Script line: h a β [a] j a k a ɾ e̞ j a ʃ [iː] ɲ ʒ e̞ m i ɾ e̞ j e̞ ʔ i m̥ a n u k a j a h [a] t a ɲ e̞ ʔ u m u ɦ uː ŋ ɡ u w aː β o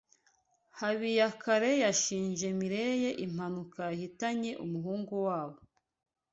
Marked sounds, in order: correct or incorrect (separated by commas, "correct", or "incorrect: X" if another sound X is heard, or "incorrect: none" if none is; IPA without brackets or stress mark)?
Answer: incorrect: i, correct, incorrect: i